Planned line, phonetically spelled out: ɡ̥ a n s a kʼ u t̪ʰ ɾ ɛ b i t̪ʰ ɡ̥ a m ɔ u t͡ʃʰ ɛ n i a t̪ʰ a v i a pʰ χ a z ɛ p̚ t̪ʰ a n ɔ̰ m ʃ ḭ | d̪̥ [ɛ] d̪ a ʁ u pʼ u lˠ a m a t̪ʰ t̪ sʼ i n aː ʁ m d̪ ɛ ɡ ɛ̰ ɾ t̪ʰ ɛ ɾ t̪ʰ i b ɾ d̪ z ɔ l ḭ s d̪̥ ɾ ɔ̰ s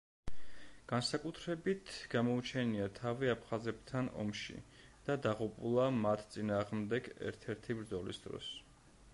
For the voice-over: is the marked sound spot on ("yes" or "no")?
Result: no